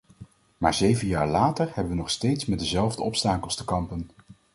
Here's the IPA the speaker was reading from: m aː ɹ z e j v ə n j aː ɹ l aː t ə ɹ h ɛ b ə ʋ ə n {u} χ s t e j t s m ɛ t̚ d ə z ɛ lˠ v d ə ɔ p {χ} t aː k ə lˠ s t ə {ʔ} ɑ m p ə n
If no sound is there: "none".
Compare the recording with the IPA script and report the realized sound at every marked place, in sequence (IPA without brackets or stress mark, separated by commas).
ɔ, s, k